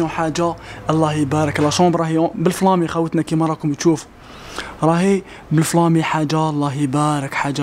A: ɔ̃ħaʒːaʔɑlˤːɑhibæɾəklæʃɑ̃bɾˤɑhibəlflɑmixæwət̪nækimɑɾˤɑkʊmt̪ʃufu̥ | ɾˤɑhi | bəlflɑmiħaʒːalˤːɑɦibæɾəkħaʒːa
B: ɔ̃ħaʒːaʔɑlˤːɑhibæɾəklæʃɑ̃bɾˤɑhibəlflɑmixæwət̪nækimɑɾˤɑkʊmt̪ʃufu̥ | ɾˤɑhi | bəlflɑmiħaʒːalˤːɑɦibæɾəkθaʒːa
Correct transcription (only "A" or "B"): A